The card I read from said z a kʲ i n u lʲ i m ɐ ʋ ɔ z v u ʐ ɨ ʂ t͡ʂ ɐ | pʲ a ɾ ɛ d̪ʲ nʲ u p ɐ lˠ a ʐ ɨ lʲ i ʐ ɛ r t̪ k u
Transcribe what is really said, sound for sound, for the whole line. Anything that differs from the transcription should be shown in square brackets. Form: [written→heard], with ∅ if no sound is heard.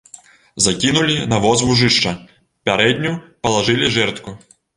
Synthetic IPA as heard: z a kʲ i n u lʲ i [m→n] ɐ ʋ ɔ z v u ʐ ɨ ʂ t͡ʂ ɐ | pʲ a ɾ ɛ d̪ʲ nʲ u p ɐ lˠ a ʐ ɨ lʲ i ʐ ɛ r t̪ k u